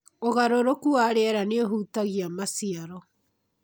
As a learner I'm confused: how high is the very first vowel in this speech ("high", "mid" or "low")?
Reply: mid